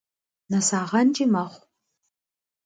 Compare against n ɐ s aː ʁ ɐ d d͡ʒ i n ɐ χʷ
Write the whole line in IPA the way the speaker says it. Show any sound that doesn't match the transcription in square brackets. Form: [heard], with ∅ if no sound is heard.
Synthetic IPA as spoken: n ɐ s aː ʁ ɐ [n] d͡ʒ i [m] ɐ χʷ